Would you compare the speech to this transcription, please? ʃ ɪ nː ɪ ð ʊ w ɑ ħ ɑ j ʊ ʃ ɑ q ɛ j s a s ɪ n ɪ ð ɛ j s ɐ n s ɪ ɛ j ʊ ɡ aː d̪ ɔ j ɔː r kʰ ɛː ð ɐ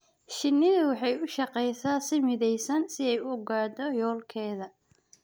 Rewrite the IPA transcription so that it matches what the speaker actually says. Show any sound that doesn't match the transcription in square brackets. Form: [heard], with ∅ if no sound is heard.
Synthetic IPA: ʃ ɪ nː ɪ ð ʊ w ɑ ħ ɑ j ʊ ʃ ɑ q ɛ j s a s ɪ [m] ɪ ð ɛ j s ɐ n s ɪ ɛ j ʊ ɡ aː d̪ ɔ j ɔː [l] kʰ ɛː ð ɐ

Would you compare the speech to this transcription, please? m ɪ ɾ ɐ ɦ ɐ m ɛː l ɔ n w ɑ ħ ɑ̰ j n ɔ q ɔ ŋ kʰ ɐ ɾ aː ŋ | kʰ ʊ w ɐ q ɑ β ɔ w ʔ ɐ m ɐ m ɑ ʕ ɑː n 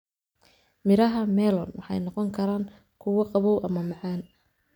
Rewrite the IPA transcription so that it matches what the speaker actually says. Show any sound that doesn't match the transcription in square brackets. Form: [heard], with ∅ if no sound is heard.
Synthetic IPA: m ɪ ɾ ɐ ɦ ɐ m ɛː l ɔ n w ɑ ħ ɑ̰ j n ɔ q ɔ ŋ kʰ ɐ ɾ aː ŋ | kʰ ʊ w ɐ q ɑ β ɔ w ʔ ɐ m ɐ m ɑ ʕ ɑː n

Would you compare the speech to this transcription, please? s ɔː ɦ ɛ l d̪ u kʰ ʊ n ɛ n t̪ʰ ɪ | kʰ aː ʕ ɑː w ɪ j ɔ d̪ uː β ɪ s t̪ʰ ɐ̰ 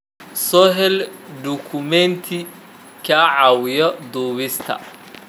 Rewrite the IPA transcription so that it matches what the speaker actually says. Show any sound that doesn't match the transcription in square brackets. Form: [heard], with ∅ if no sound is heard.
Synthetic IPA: s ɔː ɦ ɛ l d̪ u kʰ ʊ [m] ɛ n t̪ʰ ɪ | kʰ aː ʕ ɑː w ɪ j ɔ d̪ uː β ɪ s t̪ʰ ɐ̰

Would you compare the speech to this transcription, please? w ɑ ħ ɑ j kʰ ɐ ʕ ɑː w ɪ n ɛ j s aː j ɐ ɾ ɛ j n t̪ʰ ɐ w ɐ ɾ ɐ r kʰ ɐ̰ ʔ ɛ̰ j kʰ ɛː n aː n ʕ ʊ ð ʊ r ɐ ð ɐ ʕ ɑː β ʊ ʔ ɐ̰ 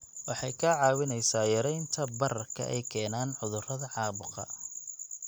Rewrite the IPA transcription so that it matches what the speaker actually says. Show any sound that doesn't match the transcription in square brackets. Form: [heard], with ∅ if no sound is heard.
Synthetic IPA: w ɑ ħ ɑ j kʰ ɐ ʕ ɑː w ɪ n ɛ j s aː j ɐ ɾ ɛ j n t̪ʰ ɐ [b] ɐ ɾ ɐ r kʰ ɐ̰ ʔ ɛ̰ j kʰ ɛː n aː n ʕ ʊ ð ʊ r ɐ ð ɐ ʕ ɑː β ʊ [q] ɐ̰

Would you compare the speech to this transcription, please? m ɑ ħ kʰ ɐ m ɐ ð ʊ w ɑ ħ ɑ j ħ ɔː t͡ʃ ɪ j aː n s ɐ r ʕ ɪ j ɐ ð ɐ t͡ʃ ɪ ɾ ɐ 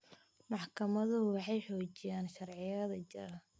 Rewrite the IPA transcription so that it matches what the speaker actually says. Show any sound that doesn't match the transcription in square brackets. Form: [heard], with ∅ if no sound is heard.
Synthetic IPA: m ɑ ħ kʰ ɐ m ɐ ð ʊ w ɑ ħ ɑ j ħ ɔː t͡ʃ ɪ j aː n [ʃ] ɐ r ʕ ɪ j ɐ ð ɐ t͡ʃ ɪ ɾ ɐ

